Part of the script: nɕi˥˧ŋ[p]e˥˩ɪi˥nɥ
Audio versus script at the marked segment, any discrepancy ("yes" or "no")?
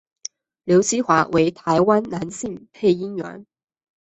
yes